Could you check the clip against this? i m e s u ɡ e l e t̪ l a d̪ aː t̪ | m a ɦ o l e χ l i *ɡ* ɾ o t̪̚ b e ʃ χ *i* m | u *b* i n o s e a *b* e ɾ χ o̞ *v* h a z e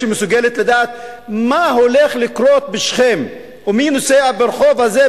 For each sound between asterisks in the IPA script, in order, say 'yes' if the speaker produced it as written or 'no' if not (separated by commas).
no, no, no, yes, yes